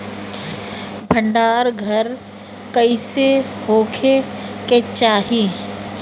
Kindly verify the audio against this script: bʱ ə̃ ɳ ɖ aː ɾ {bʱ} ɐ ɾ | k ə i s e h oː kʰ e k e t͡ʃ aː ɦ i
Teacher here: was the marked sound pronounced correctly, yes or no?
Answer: no